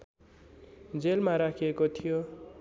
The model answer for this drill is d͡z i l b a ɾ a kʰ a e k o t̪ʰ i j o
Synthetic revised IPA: d͡z e l m a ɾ a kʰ i e k o t̪ʰ i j o

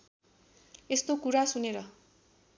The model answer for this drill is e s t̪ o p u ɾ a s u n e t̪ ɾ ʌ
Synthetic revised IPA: e s t̪ o k u ɾ a s u n e ɾ ʌ

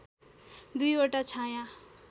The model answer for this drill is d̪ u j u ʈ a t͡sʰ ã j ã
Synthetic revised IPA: d̪ u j o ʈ a t͡sʰ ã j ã

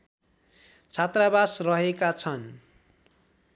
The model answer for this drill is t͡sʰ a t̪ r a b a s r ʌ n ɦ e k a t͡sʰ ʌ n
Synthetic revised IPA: t͡sʰ a t̪ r a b a s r ʌ ɦ e k a t͡sʰ ʌ n

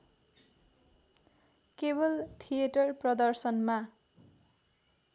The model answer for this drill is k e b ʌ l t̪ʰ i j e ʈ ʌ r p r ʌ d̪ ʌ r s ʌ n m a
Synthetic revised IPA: k e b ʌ l t̪ʰ i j e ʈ ʌ r p r ʌ d̪ ʌ r s ʌ n m a

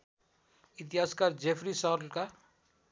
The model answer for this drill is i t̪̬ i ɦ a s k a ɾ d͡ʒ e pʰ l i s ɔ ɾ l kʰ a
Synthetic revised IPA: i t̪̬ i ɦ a s k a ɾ d͡ʒ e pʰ ɾ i s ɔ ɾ l k a

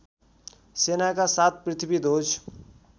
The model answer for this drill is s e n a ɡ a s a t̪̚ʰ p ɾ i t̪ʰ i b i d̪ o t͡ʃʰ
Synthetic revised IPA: s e n a k a s a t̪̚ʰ p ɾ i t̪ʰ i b i d̪ o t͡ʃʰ

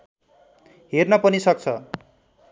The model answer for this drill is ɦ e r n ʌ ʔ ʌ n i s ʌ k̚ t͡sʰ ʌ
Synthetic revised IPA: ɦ e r n ʌ p ʌ n i s ʌ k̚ t͡sʰ ʌ

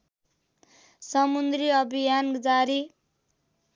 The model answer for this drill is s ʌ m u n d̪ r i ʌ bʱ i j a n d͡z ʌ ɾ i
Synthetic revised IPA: s ʌ m u n d̪ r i ʌ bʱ i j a n d͡z a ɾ i

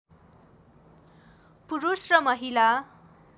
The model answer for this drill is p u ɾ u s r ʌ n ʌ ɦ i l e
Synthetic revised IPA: p u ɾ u s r ʌ m ʌ ɦ i l a

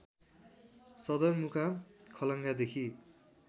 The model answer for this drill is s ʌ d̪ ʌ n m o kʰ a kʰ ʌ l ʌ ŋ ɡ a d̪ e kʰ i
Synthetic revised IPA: s ʌ d̪ ʌ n m u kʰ a kʰ ʌ l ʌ ŋ ɡ a d̪ e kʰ i

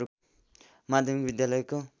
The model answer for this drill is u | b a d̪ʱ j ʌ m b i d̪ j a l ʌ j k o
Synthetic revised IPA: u | m a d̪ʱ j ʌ m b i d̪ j a l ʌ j k o

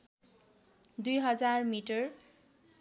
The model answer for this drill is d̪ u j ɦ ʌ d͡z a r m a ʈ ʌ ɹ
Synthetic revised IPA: d̪ u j ɦ ʌ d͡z a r m i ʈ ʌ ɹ

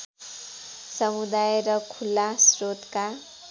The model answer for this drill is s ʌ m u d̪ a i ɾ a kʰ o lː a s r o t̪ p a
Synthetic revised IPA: s ʌ m u d̪ a j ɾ ʌ kʰ u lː a s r o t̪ k a

